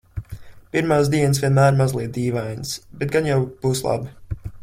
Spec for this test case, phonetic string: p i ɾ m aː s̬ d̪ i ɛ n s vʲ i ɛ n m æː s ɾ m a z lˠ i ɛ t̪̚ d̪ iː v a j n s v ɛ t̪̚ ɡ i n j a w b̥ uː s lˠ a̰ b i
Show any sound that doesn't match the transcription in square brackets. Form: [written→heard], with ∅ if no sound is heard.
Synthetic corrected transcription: p i ɾ m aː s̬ d̪ i ɛ n s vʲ i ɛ n m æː [s→∅] ɾ m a z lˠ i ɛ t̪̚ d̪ iː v a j n s [v→b] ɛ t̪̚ ɡ [i→a] n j a w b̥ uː s lˠ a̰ b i